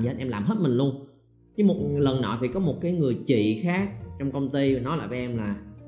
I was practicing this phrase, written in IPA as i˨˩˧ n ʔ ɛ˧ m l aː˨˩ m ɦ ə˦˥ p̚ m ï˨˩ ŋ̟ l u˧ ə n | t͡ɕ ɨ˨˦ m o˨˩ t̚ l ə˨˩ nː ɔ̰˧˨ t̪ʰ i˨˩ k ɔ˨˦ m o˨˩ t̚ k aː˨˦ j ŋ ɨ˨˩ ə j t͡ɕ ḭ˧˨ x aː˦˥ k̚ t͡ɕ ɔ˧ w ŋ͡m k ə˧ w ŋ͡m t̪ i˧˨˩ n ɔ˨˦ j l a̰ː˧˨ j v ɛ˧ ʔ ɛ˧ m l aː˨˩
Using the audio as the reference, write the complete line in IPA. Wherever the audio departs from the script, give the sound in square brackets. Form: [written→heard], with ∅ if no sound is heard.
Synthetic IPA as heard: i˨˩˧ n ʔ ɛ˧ m l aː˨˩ m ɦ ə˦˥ [p̚→t̚] m ï˨˩ ŋ̟ l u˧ ə n | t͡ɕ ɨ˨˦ m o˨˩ t̚ l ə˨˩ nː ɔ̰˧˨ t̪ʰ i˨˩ k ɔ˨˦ m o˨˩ t̚ k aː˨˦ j ŋ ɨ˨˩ ə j t͡ɕ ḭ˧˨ x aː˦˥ k̚ t͡ɕ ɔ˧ w ŋ͡m k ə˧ w ŋ͡m t̪ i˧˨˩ n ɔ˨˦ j l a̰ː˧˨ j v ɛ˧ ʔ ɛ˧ m l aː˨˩